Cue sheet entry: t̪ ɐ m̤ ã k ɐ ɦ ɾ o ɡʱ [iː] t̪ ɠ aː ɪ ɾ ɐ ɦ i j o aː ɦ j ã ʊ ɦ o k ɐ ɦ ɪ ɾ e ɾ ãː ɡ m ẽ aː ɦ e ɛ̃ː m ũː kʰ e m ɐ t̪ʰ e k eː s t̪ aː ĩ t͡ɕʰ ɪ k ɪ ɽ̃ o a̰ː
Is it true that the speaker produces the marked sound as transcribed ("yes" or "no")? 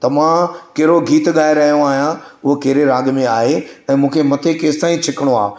yes